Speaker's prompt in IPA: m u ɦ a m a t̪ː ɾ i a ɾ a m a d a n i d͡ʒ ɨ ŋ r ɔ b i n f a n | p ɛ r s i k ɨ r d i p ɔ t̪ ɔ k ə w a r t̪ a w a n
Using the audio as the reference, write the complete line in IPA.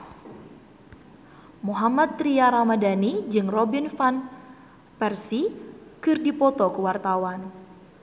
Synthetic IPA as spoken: m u ɦ a m a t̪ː ɾ i a ɾ a m a d a n i d͡ʒ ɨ ŋ r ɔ b i n f a n | p ɛ r s i k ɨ r d i p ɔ t̪ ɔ k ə w a r t̪ a w a n